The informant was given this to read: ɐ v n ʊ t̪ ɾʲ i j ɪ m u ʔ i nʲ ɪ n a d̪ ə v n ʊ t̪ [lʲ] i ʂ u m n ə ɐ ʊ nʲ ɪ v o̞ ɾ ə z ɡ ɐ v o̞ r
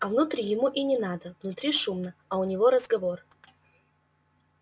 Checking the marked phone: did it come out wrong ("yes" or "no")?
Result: yes